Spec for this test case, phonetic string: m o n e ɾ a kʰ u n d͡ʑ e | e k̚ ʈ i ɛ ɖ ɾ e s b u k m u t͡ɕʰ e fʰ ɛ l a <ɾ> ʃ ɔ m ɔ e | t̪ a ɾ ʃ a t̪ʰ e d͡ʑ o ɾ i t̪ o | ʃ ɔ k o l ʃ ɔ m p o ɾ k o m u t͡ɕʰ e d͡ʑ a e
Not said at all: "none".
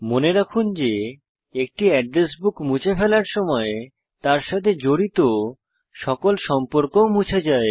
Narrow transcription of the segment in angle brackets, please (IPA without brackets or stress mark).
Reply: ɾ